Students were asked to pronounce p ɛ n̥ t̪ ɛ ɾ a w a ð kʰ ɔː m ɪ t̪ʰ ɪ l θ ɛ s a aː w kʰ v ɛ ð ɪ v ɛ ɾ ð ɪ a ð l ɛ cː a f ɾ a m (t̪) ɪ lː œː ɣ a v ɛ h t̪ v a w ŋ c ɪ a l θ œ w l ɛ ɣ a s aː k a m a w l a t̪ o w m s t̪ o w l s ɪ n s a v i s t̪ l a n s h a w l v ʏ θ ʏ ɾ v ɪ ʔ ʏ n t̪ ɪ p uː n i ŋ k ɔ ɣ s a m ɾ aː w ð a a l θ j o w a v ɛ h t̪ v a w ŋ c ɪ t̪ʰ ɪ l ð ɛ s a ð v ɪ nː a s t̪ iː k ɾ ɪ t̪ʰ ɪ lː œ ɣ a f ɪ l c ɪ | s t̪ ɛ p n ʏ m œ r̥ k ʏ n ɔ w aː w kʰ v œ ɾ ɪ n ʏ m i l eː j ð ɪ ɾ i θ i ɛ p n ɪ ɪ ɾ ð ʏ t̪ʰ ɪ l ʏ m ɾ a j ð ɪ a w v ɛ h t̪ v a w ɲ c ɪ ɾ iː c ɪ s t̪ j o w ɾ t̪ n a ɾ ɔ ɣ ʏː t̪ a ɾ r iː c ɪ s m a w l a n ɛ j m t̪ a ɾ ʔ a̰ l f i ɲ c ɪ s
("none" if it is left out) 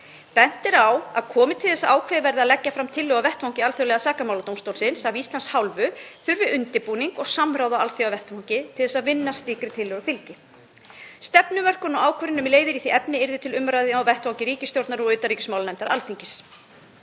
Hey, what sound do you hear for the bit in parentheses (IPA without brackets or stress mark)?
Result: t̪ʰ